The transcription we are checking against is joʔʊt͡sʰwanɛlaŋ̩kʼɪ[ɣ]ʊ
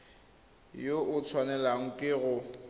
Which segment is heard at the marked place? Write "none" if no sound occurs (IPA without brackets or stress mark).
ɣ